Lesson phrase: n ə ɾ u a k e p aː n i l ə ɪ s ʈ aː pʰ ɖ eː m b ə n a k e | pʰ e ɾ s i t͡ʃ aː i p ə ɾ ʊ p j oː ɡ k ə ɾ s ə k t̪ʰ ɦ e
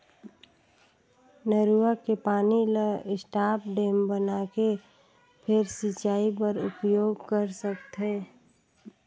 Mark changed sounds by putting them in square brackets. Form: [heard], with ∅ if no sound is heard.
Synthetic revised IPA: n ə ɾ u a k e p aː n i l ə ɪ s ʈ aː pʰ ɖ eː m b ə n a k e | pʰ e ɾ s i t͡ʃ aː i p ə ɾ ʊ p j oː ɡ k ə ɾ s ə k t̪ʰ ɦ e